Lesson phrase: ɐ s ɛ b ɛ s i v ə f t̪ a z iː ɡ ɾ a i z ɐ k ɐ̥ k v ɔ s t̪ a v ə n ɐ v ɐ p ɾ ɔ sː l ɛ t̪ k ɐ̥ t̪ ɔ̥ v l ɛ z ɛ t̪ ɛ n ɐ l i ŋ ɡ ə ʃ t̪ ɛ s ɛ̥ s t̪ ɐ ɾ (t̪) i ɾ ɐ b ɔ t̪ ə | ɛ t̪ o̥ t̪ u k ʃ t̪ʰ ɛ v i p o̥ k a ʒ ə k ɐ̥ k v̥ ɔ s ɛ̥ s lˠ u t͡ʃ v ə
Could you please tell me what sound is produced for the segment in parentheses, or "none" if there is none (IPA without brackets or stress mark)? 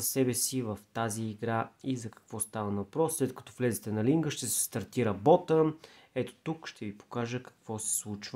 t̪